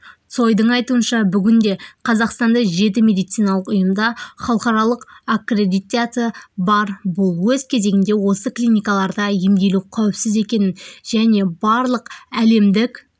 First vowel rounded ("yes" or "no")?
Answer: yes